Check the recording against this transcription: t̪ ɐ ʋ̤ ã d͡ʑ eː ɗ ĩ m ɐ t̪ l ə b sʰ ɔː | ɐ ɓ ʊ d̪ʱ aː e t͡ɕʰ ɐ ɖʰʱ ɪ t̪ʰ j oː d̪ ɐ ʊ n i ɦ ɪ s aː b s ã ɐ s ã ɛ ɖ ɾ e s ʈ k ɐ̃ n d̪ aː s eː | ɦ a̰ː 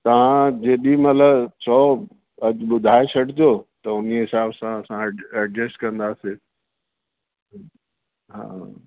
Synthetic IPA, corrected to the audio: t̪ ɐ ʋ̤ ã d͡ʑ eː ɗ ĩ m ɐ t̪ l ə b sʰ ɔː | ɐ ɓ ʊ d̪ʱ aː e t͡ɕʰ ɐ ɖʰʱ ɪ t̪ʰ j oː t̪ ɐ ʊ n i ɦ ɪ s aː b s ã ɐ s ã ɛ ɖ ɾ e s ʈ k ɐ̃ n d̪ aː s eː | ɦ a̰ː